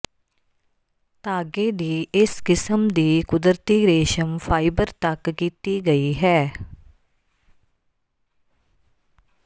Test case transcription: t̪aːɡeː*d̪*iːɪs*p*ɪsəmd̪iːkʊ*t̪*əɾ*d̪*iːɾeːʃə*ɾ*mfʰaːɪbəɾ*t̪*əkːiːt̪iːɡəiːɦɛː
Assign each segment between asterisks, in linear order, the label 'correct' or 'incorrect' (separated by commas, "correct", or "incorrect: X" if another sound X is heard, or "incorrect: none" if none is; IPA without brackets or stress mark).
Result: correct, incorrect: k, incorrect: d̪, incorrect: t̪, incorrect: none, correct